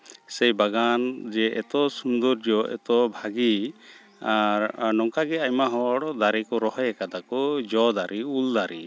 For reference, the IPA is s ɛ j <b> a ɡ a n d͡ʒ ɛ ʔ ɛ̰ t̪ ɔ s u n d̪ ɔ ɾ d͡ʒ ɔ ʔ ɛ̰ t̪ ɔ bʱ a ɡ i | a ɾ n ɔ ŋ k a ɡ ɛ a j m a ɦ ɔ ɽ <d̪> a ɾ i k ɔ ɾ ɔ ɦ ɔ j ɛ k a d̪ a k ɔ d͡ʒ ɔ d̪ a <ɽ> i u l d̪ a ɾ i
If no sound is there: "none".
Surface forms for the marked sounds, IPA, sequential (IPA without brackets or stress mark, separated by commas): b, d̪, ɾ